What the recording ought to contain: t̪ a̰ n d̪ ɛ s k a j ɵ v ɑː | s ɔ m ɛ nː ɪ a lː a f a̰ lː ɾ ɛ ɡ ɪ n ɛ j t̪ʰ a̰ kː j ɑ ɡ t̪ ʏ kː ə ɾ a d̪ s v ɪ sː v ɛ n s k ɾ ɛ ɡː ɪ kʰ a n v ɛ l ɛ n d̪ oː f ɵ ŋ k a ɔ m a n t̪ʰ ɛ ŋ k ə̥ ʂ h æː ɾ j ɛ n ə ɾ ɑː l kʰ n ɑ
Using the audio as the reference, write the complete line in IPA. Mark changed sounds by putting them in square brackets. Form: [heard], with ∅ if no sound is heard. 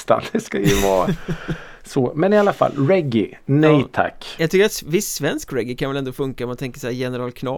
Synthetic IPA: t̪ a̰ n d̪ ɛ s k a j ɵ v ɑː | s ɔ m ɛ [n] ɪ a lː a f a̰ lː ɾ ɛ ɡ ɪ n ɛ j t̪ʰ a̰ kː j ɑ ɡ t̪ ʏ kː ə ɾ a [t̪] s v ɪ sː v ɛ n s k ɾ ɛ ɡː ɪ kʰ a n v ɛ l ɛ n d̪ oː f ɵ ŋ k a ɔ m a n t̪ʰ ɛ ŋ k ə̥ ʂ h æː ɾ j ɛ n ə ɾ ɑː l kʰ n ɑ